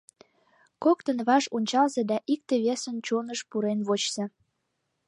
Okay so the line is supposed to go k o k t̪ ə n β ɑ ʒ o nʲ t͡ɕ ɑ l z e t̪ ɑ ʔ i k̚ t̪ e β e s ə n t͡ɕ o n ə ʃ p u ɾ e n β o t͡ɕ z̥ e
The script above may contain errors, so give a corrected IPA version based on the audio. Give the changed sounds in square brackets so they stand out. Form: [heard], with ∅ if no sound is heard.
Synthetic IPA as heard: k o k t̪ ə n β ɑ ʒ o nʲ t͡ɕ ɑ l z e [d̪] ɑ ʔ i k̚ t̪ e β e s ə n t͡ɕ o n ə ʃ p u ɾ e n β o t͡ɕ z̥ e